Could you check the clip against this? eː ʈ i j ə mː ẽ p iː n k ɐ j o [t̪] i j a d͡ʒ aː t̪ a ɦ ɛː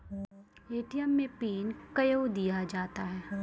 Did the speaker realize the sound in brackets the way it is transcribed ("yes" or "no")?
no